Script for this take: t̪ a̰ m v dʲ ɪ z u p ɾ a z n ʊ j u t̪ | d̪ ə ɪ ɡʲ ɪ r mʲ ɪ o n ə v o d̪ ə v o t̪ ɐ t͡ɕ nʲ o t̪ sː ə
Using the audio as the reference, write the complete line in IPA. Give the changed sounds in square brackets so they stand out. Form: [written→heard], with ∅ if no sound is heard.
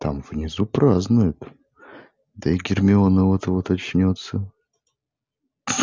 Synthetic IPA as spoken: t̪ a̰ m v [dʲ→nʲ] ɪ z u p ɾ a z n ʊ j [u→ʊ] t̪ | d̪ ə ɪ ɡʲ ɪ r mʲ ɪ o n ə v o [d̪→t̪] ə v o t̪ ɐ t͡ɕ nʲ o t̪ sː ə